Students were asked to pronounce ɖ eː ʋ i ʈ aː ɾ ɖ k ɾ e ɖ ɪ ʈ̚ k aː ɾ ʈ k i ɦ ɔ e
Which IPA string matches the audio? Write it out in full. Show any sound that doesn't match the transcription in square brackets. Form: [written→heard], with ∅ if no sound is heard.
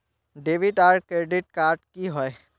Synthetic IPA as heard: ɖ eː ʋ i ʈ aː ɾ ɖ k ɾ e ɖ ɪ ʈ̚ k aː ɾ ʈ k i ɦ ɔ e